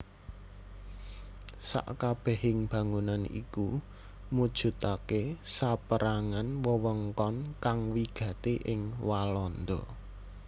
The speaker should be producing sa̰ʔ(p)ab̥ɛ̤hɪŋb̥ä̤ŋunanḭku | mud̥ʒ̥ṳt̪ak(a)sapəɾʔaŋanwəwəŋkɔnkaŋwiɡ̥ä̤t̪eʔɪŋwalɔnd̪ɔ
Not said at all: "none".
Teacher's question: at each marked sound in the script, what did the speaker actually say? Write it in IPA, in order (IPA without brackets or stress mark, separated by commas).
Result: k, e